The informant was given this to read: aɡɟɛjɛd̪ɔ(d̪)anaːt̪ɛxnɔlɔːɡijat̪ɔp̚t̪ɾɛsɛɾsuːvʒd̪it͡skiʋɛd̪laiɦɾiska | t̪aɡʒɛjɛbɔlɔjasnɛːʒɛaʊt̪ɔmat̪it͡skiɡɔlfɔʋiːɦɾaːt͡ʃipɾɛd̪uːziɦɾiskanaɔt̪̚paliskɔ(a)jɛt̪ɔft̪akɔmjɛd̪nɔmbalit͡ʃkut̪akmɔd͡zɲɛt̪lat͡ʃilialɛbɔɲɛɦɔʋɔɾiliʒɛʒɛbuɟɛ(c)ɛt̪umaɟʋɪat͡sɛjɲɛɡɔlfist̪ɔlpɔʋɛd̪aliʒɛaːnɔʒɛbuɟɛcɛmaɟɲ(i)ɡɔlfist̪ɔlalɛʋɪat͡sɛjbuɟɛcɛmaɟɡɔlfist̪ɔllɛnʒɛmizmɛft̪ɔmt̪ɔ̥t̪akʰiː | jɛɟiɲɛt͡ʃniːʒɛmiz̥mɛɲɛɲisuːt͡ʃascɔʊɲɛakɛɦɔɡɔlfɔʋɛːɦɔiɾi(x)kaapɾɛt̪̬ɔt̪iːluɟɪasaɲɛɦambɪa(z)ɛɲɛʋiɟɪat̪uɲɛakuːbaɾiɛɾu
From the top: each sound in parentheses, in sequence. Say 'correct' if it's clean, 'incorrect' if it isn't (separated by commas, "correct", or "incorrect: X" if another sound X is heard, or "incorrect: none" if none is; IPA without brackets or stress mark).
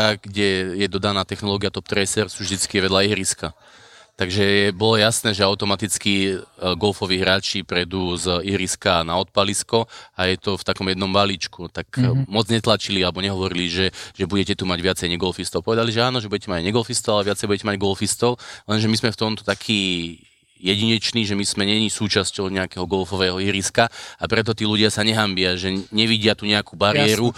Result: correct, correct, correct, incorrect: ɛ, incorrect: s, incorrect: ʒ